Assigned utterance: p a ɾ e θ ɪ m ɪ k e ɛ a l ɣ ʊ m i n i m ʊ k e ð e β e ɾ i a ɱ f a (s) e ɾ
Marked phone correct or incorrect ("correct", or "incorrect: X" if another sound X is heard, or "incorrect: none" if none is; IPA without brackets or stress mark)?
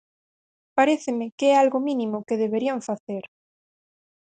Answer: incorrect: θ